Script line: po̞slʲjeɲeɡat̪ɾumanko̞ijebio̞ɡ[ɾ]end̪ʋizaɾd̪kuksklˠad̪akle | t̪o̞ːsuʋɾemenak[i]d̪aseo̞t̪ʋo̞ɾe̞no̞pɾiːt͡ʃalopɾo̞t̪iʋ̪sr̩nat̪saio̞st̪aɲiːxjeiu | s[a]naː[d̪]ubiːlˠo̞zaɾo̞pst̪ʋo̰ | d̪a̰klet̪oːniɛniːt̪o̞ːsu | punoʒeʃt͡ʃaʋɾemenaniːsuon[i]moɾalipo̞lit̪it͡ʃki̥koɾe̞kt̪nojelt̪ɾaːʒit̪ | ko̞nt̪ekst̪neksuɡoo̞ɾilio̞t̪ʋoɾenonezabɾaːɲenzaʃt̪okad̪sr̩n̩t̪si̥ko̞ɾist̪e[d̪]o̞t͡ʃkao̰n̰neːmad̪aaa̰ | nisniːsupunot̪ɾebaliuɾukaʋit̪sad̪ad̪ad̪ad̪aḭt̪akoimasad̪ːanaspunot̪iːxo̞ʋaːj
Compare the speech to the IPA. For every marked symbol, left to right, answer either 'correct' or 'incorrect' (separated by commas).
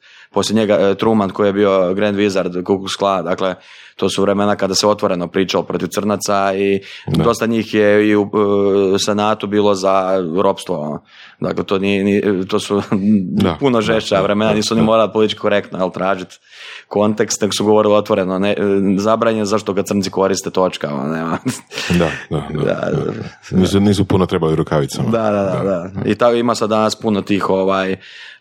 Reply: correct, incorrect, incorrect, incorrect, correct, incorrect